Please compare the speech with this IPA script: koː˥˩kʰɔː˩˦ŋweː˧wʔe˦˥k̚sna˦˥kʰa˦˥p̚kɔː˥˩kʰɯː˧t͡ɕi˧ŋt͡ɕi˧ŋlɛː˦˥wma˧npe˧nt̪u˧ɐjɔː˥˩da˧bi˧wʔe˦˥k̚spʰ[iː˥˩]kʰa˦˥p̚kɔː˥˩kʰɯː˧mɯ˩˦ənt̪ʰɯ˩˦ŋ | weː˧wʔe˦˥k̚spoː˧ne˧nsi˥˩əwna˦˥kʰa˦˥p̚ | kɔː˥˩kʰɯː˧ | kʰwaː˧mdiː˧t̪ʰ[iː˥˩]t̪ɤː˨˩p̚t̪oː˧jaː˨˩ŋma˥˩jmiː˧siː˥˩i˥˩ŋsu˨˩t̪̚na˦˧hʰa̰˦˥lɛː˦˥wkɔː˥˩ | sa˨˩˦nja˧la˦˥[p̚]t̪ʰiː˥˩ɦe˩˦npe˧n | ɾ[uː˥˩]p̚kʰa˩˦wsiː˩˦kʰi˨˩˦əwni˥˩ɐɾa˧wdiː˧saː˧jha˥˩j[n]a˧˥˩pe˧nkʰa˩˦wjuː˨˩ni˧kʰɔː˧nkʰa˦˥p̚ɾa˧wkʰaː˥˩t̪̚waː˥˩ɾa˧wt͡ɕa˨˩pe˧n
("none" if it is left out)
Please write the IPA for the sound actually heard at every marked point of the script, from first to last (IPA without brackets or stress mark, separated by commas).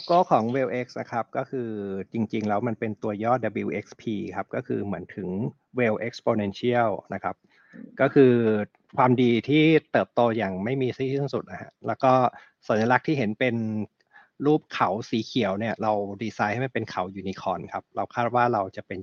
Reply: iː˧, iː˥˩, k̚, uː˥˩, m